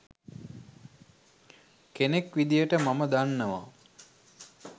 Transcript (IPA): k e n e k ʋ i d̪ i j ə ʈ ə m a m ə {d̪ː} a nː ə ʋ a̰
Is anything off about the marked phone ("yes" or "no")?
yes